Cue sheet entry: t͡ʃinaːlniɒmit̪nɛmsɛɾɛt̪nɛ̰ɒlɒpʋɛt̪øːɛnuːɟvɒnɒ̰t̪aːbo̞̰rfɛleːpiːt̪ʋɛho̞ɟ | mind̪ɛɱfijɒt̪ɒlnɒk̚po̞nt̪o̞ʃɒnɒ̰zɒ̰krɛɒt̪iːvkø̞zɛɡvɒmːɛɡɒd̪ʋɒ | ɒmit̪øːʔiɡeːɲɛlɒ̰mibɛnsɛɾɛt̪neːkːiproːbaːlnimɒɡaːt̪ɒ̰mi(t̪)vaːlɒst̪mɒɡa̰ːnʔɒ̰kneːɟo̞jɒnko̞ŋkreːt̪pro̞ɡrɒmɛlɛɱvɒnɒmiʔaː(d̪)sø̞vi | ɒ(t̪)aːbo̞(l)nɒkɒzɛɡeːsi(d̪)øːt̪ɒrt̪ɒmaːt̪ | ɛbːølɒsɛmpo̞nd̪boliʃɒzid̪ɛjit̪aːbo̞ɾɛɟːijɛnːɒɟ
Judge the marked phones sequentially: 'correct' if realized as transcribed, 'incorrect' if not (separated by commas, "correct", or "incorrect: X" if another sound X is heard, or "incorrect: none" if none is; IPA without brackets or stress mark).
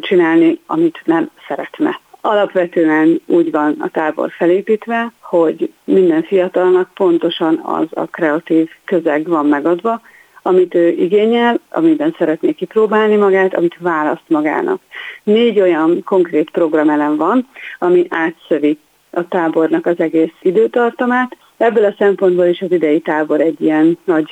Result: correct, incorrect: t̪, correct, incorrect: r, correct